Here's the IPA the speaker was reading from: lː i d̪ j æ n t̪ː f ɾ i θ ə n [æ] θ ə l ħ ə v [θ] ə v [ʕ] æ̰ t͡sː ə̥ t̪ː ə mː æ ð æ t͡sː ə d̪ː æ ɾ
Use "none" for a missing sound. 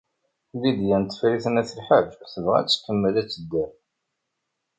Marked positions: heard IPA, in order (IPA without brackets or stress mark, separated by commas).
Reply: æ, θ, ʁ